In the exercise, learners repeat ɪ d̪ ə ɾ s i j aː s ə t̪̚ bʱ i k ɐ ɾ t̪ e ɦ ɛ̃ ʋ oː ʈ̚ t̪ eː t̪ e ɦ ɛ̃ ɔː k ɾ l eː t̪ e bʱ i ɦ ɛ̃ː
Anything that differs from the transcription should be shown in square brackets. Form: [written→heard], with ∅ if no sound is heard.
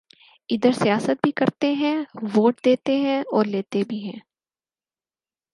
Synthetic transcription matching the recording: ɪ d̪ ə ɾ s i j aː s ə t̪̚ bʱ i k ɐ ɾ t̪ e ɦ ɛ̃ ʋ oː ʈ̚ [t̪→d̪] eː t̪ e ɦ ɛ̃ ɔː [k→∅] ɾ l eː t̪ e bʱ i ɦ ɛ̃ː